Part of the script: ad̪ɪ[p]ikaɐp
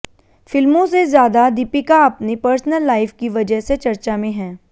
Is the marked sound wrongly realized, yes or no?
no